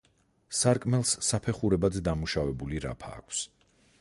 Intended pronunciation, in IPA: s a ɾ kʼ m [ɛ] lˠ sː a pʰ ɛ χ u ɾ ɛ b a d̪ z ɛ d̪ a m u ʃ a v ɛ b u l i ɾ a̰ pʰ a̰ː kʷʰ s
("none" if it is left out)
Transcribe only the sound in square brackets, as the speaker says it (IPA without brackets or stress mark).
ɛ